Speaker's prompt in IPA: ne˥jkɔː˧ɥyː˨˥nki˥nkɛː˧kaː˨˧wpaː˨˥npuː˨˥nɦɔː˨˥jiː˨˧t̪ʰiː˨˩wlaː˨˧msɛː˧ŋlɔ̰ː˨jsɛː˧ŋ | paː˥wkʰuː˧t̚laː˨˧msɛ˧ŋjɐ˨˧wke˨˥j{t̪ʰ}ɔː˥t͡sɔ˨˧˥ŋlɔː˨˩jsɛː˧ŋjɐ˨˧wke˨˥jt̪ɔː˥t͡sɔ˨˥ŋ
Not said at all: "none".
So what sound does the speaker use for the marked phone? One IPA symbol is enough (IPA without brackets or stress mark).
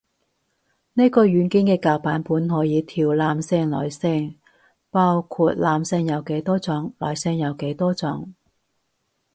t̪